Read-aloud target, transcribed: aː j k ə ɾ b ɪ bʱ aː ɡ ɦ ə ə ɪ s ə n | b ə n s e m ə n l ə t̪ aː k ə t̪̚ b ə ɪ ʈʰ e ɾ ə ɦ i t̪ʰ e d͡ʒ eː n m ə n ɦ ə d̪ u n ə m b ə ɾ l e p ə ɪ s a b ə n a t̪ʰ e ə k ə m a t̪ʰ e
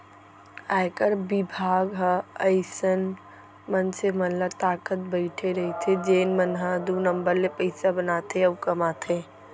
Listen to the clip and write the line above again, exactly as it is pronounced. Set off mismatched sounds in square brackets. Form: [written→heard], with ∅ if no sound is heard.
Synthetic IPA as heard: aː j k ə ɾ b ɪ bʱ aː ɡ ɦ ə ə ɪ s ə n | [b→m] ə n s e m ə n l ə t̪ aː k ə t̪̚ b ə ɪ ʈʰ e ɾ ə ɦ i t̪ʰ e d͡ʒ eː n m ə n ɦ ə d̪ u n ə m b ə ɾ l e p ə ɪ s a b ə n a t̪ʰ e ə k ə m a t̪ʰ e